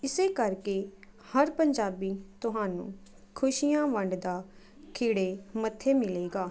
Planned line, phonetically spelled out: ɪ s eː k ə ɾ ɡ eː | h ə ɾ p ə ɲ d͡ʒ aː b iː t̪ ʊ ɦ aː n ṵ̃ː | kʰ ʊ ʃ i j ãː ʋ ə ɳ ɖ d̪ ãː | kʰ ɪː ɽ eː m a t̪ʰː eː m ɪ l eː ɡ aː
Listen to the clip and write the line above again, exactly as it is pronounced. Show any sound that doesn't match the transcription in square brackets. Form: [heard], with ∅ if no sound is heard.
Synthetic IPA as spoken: ɪ s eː k ə ɾ [k] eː | h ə ɾ p ə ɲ d͡ʒ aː b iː t̪ ʊ ɦ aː n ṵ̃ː | kʰ ʊ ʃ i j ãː ʋ ə ɳ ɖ d̪ [aː] | kʰ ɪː ɽ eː m [ə] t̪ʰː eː m ɪ l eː ɡ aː